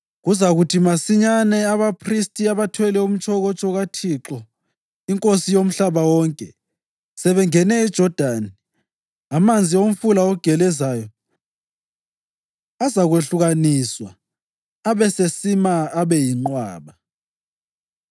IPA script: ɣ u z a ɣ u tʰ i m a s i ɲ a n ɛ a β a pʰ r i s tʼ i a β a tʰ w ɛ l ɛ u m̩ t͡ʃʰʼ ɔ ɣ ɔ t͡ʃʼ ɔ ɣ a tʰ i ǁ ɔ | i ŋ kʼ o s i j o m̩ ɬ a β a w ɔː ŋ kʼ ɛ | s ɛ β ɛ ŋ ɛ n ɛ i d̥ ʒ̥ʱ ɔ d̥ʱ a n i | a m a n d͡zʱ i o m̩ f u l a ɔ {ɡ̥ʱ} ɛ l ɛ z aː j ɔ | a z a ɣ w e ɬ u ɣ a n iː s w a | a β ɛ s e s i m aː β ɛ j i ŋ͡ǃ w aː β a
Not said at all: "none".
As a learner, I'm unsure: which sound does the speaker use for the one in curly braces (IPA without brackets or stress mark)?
ɡ̥ʱ